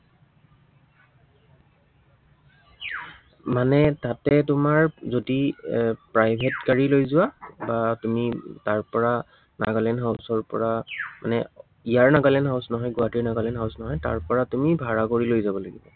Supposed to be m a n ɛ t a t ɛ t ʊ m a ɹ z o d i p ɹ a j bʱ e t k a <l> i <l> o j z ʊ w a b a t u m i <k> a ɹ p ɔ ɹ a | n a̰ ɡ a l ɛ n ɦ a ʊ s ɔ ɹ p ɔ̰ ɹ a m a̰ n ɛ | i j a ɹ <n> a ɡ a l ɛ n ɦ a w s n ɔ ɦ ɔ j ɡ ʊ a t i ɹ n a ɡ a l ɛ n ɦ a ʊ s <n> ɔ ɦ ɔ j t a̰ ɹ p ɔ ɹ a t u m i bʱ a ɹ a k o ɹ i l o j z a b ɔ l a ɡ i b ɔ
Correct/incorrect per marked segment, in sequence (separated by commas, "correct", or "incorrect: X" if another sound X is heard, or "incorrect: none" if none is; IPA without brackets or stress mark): incorrect: ɹ, correct, incorrect: t, correct, correct